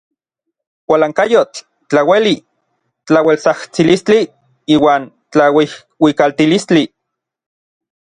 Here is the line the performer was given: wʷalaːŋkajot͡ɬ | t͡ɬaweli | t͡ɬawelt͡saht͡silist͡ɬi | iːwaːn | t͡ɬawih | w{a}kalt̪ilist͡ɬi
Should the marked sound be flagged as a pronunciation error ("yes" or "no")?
yes